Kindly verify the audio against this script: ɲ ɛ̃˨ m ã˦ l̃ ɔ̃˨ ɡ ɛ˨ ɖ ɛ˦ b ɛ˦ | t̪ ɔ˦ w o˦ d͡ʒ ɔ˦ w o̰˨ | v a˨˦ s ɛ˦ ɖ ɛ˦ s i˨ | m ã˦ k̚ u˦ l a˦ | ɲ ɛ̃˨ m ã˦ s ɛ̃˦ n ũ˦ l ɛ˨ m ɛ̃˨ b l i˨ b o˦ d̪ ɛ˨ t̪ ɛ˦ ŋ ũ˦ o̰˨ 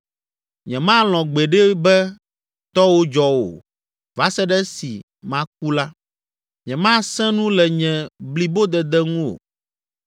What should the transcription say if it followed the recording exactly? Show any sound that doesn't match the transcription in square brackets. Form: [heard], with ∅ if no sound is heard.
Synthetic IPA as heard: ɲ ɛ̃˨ m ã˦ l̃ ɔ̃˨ [ɡ͡b] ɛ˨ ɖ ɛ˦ b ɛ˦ | t̪ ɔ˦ w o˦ d͡ʒ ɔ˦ w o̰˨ | v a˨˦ s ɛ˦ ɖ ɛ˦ s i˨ | m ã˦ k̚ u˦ l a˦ | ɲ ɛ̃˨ m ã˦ s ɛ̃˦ n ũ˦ l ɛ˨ [ɲ] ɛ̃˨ b l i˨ b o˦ d̪ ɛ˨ [d̪] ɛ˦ ŋ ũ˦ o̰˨